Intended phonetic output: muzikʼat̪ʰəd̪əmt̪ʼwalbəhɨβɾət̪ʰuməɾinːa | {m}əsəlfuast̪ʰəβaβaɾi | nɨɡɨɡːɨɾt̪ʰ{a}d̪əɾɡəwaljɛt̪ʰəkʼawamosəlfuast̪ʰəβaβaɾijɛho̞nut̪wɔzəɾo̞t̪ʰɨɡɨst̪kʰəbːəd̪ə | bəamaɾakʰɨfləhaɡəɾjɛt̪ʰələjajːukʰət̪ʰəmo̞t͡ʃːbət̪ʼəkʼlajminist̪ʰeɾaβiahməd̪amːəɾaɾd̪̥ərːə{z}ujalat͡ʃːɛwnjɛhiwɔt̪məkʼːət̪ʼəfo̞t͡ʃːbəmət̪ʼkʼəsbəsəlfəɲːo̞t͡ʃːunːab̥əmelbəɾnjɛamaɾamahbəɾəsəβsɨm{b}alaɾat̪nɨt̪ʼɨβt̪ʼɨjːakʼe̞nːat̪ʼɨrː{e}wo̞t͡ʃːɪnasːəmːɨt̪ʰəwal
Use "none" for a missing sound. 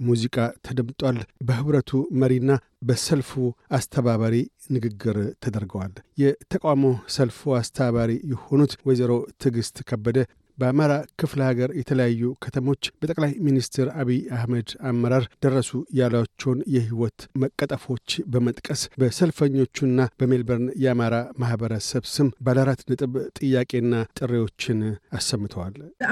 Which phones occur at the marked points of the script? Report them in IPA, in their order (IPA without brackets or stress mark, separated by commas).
b, ə, s, b, e